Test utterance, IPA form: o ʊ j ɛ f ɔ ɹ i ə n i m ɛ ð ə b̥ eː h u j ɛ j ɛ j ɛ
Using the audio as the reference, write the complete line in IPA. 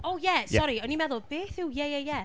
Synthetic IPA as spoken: o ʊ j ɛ s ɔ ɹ i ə n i m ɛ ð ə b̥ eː θ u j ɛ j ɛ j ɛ

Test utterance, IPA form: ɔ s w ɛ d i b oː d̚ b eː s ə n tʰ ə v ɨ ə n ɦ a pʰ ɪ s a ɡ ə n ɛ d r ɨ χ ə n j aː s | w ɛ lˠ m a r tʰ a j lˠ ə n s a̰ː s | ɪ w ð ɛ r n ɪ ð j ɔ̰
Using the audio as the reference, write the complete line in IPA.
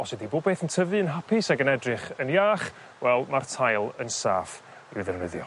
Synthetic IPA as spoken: ɔ s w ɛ d i b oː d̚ b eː θ ə n tʰ ə v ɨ ə n ɦ a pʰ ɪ s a ɡ ə n ɛ d r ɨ χ ə n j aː χ | w ɛ lˠ m a r tʰ a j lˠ ə n s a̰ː f | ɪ w ð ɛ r n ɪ ð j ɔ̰

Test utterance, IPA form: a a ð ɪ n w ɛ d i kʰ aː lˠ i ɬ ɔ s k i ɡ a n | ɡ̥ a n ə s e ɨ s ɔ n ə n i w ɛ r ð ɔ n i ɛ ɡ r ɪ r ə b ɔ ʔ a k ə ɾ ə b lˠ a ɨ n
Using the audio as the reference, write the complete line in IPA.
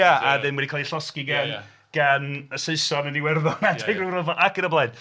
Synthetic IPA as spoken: a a ð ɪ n w ɛ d i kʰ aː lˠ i ɬ ɔ s k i ɡ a n | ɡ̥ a n ə s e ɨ s ɔ n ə n i w ɛ r ð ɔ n a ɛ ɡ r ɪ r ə v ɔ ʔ a k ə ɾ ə b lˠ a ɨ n

